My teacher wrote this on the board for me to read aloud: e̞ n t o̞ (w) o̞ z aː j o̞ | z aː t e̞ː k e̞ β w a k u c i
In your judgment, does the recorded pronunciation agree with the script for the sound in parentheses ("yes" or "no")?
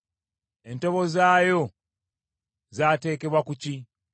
no